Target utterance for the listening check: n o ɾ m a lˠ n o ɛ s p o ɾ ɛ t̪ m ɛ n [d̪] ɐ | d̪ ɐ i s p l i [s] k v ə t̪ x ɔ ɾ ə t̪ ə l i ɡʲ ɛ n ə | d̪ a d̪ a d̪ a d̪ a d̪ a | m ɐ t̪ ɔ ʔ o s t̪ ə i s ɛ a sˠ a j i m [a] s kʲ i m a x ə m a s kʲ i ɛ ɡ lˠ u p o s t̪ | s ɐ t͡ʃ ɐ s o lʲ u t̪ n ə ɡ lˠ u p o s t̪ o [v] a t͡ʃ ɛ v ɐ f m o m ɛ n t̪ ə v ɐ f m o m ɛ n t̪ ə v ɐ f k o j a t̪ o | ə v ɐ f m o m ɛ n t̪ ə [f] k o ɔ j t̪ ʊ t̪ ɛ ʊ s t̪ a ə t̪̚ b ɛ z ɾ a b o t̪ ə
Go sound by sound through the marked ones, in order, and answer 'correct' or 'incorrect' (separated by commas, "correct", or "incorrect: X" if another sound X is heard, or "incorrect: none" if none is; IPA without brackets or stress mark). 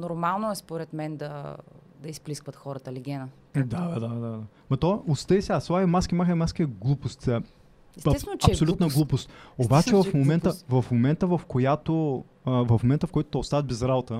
correct, correct, correct, incorrect: b, correct